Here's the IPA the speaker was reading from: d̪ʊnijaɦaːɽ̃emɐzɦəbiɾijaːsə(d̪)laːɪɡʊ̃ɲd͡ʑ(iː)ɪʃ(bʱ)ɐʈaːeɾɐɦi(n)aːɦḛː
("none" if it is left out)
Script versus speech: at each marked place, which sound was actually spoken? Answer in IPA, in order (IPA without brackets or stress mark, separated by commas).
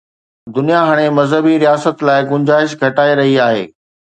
t̪, aː, ɡʱ, none